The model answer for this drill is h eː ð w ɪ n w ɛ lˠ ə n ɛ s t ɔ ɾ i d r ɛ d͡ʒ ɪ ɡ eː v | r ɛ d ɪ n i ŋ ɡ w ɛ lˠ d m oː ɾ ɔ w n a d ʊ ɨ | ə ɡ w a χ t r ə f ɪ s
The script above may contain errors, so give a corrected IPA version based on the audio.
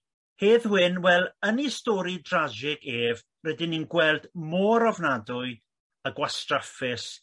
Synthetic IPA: h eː ð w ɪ n w ɛ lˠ ə n i s t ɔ ɾ i d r a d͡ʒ ɪ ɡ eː v | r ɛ d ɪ n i n ɡ w ɛ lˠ d m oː ɾ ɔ v n a d ʊ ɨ | ə ɡ w a s t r a f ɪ s